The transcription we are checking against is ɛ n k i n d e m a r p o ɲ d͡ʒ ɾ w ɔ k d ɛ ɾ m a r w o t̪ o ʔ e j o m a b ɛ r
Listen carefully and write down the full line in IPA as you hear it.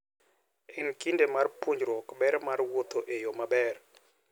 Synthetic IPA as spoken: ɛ n k i n d e m a r p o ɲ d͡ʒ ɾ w ɔ k b ɛ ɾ m a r w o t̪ o ʔ e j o m a b ɛ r